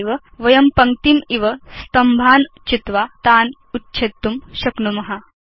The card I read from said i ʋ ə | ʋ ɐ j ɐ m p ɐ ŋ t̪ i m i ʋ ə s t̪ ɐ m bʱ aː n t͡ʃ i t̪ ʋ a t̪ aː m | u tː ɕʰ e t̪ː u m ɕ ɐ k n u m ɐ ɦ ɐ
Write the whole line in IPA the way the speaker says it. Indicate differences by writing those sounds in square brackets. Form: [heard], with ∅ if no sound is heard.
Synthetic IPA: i ʋ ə | ʋ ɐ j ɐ m p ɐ ŋ t̪ i m i ʋ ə s t̪ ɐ m bʱ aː n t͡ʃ i t̪ ʋ a t̪ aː [n] | u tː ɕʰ e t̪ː u m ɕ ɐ k n u m ɐ ɦ [a]